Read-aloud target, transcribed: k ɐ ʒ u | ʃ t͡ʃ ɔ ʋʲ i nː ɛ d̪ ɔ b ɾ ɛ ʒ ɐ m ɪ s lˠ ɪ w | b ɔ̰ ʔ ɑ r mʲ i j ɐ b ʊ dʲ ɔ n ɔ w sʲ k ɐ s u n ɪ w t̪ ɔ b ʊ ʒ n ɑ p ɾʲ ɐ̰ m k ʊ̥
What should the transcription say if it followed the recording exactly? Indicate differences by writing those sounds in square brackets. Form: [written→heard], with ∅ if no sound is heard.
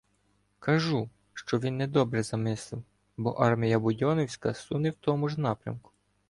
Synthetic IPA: k ɐ ʒ u | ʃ t͡ʃ ɔ ʋʲ i nː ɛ d̪ ɔ b ɾ ɛ [ʒ→z] ɐ m ɪ s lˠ ɪ w | b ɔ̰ ʔ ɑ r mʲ i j ɐ b ʊ dʲ ɔ n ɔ w sʲ k ɐ s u n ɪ w t̪ ɔ [b→m] ʊ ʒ n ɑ p ɾʲ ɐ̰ m k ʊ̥